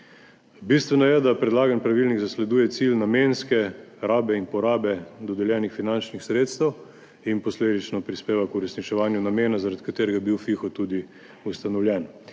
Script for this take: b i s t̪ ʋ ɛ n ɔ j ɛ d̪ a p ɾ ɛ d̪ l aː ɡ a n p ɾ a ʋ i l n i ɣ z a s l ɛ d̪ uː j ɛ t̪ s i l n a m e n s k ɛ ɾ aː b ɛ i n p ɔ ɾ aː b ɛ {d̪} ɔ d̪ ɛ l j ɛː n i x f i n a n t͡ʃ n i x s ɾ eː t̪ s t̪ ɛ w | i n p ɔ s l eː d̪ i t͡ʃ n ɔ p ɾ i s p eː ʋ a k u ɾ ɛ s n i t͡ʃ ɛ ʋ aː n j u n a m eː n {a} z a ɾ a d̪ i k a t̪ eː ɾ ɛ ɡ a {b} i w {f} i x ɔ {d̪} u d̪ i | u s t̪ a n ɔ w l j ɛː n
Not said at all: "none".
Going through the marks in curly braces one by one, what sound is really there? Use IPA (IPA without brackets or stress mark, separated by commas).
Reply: d̪, a, b, f, t̪